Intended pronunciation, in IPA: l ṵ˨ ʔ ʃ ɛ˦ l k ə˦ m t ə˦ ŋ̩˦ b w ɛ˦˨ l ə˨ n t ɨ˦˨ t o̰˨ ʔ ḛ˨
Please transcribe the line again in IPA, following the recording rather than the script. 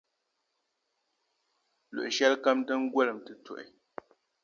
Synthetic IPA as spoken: l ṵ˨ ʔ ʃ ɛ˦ l k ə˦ m t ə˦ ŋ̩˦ ɡ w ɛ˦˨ l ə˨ m t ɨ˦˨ t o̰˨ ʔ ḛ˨